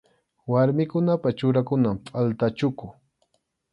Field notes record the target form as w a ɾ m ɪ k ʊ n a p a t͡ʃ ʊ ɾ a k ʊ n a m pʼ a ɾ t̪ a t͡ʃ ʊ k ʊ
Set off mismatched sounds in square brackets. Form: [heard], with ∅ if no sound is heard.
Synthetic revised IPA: w a ɾ m ɪ k ʊ n a p a t͡ʃ ʊ ɾ a k ʊ n a m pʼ a [l] t̪ a t͡ʃ ʊ k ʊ